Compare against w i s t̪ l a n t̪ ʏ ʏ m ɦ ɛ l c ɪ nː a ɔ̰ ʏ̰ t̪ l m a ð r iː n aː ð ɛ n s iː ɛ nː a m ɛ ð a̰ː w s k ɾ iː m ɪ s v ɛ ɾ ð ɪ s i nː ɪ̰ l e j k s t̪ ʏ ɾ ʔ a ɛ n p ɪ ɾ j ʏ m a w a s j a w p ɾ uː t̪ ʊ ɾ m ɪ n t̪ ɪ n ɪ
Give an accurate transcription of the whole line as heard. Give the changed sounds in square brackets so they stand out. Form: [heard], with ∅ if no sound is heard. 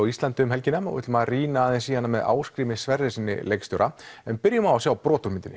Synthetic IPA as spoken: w i s t̪ l a n t̪ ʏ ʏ m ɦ ɛ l c ɪ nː a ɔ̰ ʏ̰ t̪ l m a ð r iː n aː ð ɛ n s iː [a] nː a m ɛ ð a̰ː w s k ɾ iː m ɪ s v ɛ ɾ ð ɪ s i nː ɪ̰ l e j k s t̪ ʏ ɾ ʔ a ɛ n p ɪ ɾ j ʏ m a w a s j a w p ɾ [ɔː] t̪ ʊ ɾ m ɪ n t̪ ɪ n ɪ

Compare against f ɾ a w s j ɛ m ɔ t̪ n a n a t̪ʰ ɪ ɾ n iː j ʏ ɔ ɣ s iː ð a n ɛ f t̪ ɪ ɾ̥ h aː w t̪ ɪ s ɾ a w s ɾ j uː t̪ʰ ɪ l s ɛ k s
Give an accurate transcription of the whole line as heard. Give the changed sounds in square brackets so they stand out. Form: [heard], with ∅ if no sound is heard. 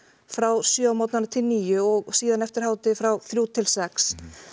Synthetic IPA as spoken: f ɾ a w s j [œ] m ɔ t̪ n a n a t̪ʰ ɪ [l] n iː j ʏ ɔ ɣ s iː ð a n ɛ f t̪ ɪ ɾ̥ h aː w t̪ ɪ [f] ɾ a w [θ] ɾ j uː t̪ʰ ɪ l s ɛ k s

